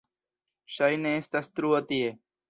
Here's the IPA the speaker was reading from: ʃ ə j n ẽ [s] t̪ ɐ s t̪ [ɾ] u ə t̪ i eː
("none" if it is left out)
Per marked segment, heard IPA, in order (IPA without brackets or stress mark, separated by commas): s, ɾ